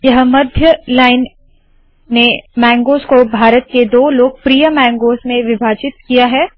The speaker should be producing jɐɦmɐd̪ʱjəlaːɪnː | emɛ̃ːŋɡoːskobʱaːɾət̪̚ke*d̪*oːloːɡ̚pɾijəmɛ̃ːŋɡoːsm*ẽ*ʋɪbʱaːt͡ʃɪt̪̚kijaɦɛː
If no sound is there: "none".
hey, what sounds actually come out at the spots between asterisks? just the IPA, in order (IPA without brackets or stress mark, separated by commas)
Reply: d̪, ẽ